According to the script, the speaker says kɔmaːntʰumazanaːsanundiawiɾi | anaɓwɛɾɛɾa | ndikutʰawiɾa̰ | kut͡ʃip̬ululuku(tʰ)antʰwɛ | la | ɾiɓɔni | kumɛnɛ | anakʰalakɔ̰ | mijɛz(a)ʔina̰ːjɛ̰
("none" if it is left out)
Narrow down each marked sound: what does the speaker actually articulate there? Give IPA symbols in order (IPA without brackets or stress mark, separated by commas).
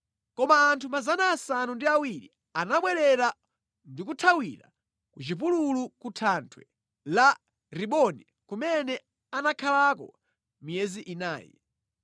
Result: tʰ, i